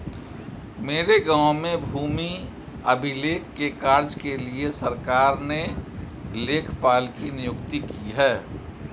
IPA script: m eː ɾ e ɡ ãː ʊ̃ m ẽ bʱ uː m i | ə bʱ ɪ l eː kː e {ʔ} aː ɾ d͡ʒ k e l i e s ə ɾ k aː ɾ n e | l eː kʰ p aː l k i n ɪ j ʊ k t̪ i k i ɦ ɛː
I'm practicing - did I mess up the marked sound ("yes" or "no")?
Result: yes